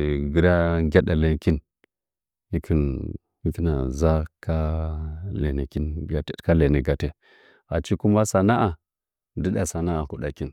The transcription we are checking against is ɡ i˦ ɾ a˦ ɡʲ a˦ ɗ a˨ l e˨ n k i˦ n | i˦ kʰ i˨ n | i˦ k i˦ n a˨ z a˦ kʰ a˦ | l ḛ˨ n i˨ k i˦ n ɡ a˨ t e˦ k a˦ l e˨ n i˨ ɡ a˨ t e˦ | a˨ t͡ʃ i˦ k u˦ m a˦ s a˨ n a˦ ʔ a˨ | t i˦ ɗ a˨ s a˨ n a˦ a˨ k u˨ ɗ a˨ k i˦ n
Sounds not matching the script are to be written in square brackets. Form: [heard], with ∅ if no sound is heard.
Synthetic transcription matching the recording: ɡ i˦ ɾ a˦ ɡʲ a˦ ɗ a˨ l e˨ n k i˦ n | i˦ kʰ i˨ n | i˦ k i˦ n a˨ z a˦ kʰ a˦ | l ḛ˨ n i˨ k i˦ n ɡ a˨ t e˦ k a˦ l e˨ n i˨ ɡ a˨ t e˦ | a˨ t͡ʃ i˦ k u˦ m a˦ s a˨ n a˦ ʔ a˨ | [d] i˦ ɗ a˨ s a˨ n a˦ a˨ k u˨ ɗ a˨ k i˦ n